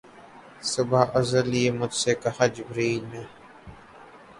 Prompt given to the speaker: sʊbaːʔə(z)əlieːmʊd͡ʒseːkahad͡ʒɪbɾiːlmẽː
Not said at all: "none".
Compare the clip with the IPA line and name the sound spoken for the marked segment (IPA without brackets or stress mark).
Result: z